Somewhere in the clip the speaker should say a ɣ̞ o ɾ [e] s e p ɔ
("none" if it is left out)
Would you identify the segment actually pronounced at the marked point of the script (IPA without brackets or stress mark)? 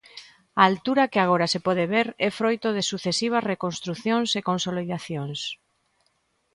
a